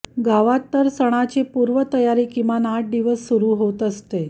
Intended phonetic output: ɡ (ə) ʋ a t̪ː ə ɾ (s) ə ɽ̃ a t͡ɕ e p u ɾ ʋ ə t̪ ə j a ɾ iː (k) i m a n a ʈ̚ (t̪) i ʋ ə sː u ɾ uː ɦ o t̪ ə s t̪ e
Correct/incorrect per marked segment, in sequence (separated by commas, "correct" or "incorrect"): incorrect, correct, correct, incorrect